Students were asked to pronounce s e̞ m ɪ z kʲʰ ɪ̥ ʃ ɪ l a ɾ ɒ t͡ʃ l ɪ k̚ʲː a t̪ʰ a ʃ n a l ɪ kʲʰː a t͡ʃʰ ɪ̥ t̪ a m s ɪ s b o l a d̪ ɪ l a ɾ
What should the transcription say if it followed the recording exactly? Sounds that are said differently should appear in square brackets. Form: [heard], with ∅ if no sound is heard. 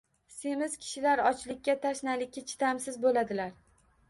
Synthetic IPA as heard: s e̞ m ɪ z kʲʰ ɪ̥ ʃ ɪ l a ɾ ɒ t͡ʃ l ɪ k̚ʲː a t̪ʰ a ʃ n a l ɪ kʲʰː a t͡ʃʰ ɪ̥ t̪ a m s ɪ [z] b o l a d̪ ɪ l a ɾ